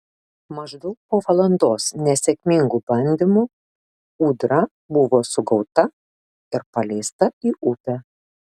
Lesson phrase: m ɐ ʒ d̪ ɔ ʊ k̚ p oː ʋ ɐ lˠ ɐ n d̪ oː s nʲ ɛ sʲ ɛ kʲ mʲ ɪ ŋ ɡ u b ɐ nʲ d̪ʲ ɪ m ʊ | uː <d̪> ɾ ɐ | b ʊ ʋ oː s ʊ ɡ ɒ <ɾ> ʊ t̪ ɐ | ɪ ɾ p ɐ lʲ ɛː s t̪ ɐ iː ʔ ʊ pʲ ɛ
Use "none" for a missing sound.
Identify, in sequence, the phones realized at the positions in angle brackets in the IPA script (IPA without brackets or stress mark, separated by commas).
d̪, none